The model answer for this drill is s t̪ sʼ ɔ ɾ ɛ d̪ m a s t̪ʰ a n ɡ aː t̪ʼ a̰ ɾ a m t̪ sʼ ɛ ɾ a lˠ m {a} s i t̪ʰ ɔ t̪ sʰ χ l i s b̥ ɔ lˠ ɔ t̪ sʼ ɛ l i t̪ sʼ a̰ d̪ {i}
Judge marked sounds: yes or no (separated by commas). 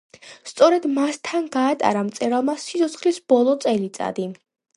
yes, yes